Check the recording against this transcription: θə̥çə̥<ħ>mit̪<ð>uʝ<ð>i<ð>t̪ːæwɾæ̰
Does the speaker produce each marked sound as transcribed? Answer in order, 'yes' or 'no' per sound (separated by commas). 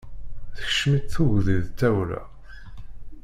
no, no, yes, yes